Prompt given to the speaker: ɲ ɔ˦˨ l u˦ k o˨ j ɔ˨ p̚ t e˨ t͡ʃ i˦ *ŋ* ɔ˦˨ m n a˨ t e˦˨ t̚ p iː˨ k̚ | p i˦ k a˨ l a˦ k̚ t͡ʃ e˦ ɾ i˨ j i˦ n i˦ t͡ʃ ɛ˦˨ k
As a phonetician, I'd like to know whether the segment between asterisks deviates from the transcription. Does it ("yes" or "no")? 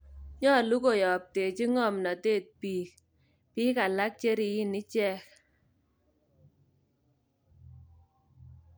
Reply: no